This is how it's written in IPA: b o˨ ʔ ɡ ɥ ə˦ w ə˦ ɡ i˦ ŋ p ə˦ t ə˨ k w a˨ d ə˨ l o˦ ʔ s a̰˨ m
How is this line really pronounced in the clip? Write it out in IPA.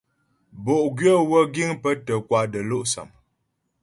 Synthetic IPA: b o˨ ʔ ɡ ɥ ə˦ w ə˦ ɡ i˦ ŋ p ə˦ t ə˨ k w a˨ d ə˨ l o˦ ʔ s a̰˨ m